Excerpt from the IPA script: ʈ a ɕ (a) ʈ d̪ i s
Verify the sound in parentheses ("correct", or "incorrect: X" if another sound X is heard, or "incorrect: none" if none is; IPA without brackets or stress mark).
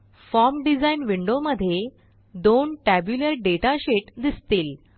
incorrect: e